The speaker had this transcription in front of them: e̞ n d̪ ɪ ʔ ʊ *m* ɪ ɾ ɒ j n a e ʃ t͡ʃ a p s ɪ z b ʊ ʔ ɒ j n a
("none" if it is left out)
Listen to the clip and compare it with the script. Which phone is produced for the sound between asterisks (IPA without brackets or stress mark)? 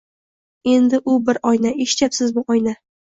b